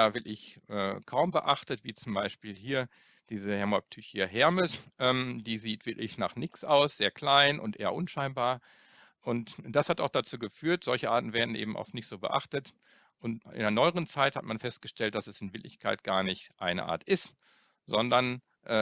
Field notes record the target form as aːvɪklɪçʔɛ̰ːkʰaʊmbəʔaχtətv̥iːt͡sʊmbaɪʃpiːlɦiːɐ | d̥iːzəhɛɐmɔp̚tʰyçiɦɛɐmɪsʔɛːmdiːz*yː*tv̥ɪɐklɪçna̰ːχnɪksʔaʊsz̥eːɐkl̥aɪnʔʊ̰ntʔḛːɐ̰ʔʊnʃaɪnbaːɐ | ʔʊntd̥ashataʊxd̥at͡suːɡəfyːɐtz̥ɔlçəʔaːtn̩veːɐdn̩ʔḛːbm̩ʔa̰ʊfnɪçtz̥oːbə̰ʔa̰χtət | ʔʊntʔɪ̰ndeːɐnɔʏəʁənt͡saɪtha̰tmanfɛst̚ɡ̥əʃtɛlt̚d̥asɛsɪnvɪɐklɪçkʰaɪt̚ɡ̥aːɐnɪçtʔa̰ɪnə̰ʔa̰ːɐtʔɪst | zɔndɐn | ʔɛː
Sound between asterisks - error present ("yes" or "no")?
yes